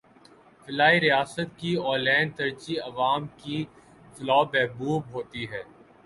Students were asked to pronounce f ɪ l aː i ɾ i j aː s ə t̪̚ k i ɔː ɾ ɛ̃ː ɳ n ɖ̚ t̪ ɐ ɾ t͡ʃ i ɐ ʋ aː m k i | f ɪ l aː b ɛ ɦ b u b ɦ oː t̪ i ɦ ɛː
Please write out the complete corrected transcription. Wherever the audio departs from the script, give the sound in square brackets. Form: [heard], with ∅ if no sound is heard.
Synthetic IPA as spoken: f ɪ l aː i ɾ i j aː s ə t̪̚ k i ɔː [l] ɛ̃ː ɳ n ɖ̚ t̪ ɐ ɾ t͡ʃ i ɐ ʋ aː m k i | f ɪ l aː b ɛ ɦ b [uː] b ɦ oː t̪ i ɦ ɛː